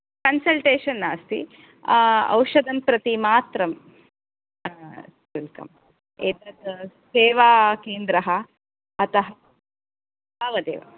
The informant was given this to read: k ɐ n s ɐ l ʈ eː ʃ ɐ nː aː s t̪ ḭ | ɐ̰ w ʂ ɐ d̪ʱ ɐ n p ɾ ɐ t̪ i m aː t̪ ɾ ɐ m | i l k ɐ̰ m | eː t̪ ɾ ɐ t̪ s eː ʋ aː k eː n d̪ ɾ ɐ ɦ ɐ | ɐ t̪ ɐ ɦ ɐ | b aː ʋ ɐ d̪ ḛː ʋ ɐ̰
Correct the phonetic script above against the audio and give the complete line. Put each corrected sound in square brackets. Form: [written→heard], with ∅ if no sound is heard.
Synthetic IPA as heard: k ɐ n s ɐ l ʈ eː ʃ ɐ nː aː s t̪ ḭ | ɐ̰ w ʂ ɐ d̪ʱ ɐ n p ɾ ɐ t̪ i m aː t̪ ɾ ɐ m | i l k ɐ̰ m | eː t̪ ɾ ɐ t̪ s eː ʋ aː k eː n d̪ ɾ ɐ ɦ ɐ | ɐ t̪ ɐ ɦ ɐ | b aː ʋ ɐ d̪ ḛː ʋ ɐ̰